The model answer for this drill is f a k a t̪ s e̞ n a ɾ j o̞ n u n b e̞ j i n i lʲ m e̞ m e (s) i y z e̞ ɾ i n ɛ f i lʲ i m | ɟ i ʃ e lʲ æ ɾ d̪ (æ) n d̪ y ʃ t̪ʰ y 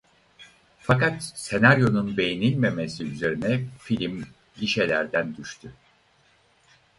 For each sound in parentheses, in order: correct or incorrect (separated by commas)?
correct, correct